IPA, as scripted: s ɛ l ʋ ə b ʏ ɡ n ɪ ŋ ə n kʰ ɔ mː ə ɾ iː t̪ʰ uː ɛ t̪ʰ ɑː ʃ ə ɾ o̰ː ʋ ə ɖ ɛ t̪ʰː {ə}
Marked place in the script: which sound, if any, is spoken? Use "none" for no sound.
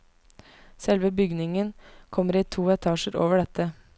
ə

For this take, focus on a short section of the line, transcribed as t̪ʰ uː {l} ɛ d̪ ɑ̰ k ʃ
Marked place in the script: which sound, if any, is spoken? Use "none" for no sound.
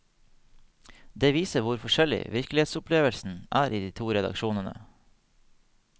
ɾ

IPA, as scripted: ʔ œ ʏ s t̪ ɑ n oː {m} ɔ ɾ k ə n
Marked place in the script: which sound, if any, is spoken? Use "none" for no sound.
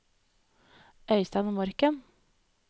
m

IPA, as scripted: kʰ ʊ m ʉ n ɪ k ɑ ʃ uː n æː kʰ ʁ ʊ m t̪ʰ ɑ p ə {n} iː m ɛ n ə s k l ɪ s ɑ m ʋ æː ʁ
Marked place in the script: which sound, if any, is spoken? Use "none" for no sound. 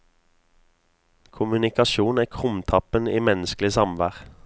n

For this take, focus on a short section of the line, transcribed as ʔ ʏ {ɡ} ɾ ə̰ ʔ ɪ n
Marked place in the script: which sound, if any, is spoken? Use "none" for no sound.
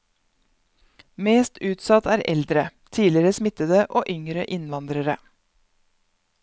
ŋ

